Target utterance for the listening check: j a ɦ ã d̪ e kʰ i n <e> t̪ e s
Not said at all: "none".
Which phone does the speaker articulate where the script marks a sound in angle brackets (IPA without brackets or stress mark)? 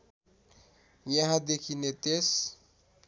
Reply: e